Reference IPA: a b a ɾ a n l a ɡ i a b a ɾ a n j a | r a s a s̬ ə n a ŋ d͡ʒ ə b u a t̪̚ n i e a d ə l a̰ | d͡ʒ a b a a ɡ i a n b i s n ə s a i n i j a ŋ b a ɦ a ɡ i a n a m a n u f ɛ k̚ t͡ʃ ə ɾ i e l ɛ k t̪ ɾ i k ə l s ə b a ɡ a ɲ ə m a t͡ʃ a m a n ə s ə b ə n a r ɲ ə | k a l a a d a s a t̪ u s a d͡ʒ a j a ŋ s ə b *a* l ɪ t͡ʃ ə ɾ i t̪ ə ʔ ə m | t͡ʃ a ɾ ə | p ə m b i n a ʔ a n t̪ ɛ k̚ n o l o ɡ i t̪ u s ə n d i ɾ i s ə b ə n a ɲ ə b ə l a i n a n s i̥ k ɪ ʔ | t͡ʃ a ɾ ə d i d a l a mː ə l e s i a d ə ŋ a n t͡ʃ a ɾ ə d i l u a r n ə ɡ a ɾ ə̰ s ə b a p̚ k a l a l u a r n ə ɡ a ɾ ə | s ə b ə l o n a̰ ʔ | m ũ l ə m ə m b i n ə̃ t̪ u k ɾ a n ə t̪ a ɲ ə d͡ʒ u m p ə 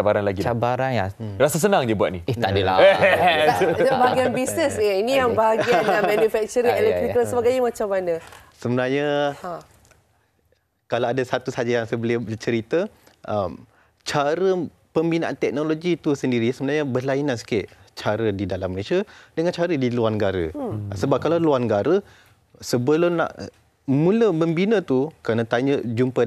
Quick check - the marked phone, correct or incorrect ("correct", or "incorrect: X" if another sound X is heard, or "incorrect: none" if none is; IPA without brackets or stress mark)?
incorrect: ə